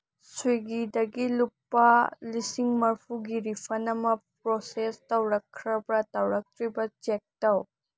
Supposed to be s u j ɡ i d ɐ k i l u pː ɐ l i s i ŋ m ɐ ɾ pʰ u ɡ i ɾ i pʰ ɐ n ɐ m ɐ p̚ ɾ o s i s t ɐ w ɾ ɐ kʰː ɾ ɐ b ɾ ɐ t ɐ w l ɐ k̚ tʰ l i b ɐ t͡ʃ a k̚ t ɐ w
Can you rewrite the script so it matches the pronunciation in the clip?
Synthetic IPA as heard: s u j ɡ i d ɐ ɡ i l u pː ɐ l i s i ŋ m ɐ ɾ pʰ u ɡ i ɾ i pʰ ɐ n ɐ m ɐ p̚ ɾ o s e s t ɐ w ɾ ɐ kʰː ɾ ɐ b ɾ ɐ t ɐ w ɾ ɐ k̚ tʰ ɾ i b ɐ t͡ʃ e k̚ t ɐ w